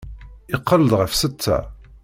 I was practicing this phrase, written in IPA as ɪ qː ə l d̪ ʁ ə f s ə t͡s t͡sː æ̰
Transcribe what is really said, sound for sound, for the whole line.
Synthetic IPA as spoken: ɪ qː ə l d̪ ʁ ə f s ə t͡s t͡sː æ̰

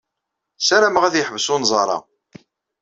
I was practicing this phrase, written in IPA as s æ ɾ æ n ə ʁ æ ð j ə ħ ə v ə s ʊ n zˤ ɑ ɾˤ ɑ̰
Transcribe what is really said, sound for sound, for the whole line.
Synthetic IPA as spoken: s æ ɾ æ m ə ʁ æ ð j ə ħ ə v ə s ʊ n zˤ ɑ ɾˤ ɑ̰

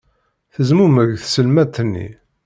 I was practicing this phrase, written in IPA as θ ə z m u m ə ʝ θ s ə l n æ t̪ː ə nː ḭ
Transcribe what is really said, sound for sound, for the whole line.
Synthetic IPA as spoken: θ ə z m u m ə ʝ θ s ə l m æ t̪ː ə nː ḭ

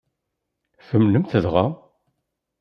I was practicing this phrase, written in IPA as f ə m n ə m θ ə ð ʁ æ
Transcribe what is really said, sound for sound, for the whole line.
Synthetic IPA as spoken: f ə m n ə m θ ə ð ʁ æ

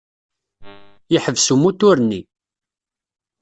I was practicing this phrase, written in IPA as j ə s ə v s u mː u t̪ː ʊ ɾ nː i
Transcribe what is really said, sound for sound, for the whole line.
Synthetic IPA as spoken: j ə ħ ə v s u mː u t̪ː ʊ ɾ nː i

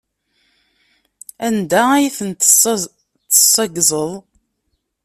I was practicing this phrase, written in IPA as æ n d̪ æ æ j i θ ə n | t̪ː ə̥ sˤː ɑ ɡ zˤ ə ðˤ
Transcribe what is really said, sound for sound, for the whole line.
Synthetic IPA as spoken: æ n d̪ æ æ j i θ ə n | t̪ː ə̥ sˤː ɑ ɡ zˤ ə ðˤ

